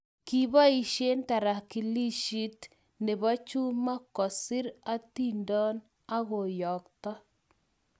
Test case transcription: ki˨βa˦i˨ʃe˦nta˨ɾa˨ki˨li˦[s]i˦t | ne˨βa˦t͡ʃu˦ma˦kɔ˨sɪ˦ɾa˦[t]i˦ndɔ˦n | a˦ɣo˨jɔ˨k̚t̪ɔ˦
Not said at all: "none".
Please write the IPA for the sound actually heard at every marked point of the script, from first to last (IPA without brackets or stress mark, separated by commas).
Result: ʃ, t